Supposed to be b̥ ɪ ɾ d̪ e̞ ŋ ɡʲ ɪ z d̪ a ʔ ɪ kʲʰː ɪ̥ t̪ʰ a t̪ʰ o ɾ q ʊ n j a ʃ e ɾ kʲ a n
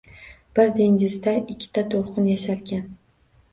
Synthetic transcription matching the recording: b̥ ɪ ɾ d̪ e̞ ŋ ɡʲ ɪ z d̪ a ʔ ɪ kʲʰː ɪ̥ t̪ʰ a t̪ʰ o ɾ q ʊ n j a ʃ a ɾ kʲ a n